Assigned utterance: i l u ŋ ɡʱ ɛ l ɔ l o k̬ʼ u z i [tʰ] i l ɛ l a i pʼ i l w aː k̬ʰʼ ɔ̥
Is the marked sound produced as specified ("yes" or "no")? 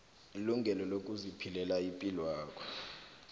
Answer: no